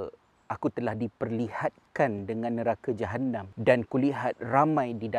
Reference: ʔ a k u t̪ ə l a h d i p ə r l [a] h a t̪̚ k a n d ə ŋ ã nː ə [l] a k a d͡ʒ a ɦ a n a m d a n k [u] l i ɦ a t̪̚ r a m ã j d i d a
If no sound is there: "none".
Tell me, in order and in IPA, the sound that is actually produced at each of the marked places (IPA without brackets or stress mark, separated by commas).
i, ɾ, u